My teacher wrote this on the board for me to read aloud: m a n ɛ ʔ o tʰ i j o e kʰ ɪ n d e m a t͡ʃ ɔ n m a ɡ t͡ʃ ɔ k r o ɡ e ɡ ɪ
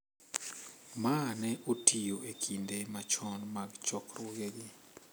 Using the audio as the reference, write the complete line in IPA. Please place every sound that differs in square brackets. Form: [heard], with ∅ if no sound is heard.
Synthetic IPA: m a n ɛ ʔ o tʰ i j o e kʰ [i] n d e m a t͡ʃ ɔ n m a ɡ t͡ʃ ɔ k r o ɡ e ɡ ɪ